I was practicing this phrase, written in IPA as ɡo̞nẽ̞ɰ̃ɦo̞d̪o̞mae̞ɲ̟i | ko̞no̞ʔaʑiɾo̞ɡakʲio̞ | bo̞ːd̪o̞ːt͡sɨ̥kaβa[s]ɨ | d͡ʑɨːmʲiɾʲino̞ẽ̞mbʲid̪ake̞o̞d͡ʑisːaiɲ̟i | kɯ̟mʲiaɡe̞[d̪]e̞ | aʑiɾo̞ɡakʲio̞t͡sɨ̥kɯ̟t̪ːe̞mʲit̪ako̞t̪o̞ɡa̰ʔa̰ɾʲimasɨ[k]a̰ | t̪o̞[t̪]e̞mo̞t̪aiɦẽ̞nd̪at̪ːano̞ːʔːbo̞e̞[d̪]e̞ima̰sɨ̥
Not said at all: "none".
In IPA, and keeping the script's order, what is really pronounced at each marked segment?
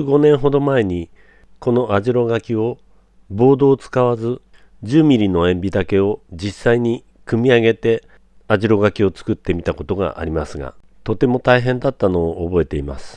z, t̪, ɡ, t̪, t̪

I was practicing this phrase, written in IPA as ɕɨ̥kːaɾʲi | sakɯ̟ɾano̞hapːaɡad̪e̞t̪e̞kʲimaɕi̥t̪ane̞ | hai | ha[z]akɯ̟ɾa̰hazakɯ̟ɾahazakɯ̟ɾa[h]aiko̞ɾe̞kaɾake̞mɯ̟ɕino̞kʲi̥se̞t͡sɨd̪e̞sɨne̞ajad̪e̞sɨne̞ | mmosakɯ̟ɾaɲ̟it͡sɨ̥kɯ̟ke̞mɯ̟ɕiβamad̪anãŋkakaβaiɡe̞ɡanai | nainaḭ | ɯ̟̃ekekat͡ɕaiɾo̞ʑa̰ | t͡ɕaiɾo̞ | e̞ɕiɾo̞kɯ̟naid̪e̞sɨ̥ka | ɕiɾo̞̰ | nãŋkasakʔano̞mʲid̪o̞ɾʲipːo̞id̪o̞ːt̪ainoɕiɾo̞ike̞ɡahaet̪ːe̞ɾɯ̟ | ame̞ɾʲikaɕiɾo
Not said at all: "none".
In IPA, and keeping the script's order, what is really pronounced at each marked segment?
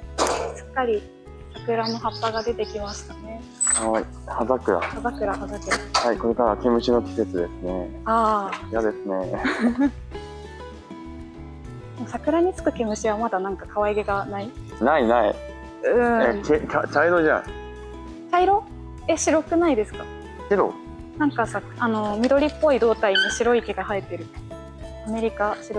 z, h

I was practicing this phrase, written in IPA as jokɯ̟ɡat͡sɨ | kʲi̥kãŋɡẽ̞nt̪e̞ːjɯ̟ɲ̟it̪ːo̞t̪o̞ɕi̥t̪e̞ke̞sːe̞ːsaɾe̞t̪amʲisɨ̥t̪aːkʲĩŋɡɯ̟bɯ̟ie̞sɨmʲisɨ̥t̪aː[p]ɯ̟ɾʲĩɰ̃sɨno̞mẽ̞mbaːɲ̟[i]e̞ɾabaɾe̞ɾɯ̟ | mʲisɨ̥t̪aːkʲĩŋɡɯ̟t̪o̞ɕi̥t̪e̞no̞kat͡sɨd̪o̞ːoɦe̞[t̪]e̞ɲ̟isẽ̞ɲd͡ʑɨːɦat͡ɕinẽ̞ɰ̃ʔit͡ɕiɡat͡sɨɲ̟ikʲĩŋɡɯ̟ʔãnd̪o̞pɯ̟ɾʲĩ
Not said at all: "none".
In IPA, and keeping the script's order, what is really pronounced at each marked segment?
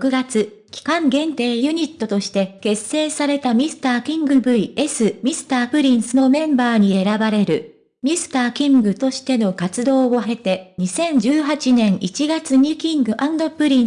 p, i, t̪

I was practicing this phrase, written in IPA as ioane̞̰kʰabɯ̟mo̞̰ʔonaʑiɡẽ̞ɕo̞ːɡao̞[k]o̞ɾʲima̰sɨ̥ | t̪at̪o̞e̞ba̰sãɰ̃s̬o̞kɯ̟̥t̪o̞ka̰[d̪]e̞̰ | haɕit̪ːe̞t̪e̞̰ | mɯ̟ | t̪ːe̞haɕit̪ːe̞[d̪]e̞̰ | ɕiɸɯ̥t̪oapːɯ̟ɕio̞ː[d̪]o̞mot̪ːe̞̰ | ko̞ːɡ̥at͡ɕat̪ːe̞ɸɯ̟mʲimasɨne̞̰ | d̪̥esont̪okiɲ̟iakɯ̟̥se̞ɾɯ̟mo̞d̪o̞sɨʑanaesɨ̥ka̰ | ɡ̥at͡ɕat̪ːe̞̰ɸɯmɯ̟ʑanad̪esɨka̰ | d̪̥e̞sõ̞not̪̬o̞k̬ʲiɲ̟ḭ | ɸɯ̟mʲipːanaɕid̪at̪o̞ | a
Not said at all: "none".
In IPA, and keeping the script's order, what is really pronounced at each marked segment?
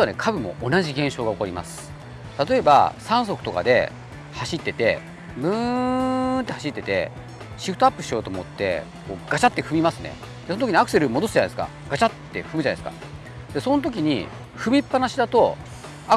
k, d̪, t̪, t̪

